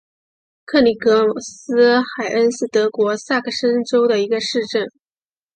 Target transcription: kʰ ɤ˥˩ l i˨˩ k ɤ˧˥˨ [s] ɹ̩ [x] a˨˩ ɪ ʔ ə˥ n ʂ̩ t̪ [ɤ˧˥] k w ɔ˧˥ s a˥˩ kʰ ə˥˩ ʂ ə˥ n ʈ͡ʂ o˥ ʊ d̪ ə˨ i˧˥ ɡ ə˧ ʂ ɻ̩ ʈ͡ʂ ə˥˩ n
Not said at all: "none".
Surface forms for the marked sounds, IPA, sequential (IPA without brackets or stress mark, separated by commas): s, x, ɤ˧˥